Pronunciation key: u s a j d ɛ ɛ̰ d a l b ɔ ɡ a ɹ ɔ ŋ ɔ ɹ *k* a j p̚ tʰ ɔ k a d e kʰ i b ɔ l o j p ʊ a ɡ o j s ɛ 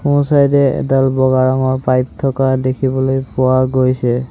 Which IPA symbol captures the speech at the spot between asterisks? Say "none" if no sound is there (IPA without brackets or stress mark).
p